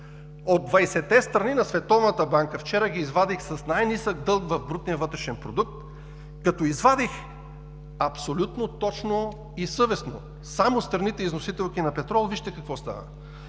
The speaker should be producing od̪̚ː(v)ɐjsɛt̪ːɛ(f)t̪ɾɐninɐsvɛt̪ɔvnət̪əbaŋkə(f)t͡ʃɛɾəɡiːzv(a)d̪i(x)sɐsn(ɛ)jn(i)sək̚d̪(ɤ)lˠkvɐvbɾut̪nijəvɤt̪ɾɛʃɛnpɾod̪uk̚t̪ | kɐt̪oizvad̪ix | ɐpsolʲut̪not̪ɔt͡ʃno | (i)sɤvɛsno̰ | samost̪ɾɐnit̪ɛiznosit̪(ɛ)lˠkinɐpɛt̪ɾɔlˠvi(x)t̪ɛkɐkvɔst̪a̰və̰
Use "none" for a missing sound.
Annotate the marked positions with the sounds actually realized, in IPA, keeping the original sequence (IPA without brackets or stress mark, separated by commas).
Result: v, s, f, a, x, a, i, ɤ, i, ɛ, ʃ